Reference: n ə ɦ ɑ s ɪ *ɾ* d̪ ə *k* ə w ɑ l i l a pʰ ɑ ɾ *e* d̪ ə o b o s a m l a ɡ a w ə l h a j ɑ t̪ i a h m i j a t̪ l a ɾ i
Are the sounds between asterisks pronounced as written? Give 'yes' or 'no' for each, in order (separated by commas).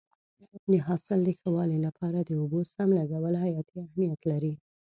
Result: no, no, no